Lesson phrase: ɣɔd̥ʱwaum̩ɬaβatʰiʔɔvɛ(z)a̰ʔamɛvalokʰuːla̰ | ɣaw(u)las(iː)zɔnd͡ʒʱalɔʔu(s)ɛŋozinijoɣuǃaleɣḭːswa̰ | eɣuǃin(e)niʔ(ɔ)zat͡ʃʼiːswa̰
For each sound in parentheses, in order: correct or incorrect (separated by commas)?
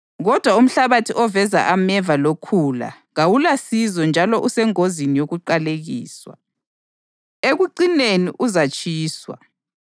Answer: correct, correct, incorrect, correct, correct, incorrect